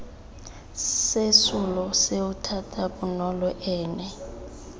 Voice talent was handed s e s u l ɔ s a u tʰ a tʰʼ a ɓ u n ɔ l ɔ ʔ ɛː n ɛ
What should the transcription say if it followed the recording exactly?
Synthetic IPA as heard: s e s u l ɔ s e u tʰ a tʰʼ a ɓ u n ɔ l ɔ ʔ ɛː n ɛ